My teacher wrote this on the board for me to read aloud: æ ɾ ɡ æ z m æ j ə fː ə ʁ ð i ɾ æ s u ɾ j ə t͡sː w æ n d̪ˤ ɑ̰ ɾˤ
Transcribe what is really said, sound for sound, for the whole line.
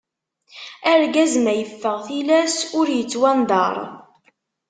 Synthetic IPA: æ ɾ ɡ æ z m æ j ə fː ə ʁ θ i l æ s ʊ ɾ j ə t͡sː w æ n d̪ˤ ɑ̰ ɾˤ